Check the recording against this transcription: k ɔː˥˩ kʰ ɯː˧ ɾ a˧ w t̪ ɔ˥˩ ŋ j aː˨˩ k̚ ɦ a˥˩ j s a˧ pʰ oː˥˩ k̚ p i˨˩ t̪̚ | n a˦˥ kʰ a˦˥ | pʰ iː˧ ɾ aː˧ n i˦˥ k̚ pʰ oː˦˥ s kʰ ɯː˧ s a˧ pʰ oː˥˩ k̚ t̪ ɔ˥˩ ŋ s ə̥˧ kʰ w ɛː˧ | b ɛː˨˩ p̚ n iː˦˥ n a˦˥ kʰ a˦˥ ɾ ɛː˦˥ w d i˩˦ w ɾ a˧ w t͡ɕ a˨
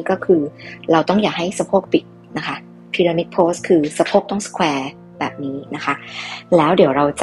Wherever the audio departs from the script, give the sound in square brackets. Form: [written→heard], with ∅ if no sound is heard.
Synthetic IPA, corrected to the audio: k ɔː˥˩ kʰ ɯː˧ ɾ a˧ w t̪ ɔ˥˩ ŋ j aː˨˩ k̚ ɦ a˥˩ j s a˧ pʰ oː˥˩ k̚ p i˨˩ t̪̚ | n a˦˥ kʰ a˦˥ | pʰ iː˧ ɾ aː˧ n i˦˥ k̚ pʰ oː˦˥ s kʰ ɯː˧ s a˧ pʰ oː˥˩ k̚ t̪ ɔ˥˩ ŋ s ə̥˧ kʰ w ɛː˧ | b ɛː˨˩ p̚ n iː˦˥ n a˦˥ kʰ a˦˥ [ɾ→l] ɛː˦˥ w d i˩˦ w ɾ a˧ w t͡ɕ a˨

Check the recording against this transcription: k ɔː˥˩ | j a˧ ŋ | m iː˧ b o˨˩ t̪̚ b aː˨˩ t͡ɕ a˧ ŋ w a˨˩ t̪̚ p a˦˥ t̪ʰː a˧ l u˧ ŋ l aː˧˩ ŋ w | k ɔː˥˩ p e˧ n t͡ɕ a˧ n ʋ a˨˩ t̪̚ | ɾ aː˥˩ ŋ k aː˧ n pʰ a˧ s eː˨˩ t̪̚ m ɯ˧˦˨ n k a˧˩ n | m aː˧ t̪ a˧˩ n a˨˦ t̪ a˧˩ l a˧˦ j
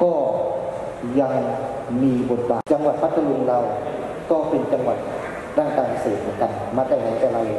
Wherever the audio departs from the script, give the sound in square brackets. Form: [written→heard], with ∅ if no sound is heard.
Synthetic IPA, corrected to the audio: k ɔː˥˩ | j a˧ ŋ | m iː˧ b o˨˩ t̪̚ b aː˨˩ t͡ɕ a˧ ŋ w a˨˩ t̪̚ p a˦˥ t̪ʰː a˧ l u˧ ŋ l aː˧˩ [ŋ→∅] w | k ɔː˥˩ p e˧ n t͡ɕ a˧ [n→ŋ] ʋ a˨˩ t̪̚ | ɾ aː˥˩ ŋ k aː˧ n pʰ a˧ s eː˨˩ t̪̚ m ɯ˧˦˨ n k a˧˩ n | m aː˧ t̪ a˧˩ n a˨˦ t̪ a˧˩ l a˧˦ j

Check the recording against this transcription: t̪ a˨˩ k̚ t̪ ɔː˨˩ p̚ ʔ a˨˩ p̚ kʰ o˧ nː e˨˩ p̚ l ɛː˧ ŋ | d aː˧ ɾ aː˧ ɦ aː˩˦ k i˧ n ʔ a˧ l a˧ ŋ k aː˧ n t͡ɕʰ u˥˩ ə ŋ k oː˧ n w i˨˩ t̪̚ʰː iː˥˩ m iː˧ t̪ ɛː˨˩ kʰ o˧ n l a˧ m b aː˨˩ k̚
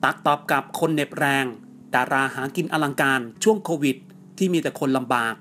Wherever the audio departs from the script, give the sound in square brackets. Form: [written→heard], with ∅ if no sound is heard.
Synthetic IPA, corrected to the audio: t̪ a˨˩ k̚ t̪ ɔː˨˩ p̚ [ʔ→k] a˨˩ p̚ kʰ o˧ nː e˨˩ p̚ [l→ɾ] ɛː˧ ŋ | d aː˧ ɾ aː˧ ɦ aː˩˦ k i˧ n ʔ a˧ l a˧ ŋ k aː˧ n t͡ɕʰ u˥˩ ə ŋ [k→kʰ] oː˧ [n→∅] w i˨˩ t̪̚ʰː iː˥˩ m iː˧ t̪ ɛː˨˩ kʰ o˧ n l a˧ m b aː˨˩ k̚

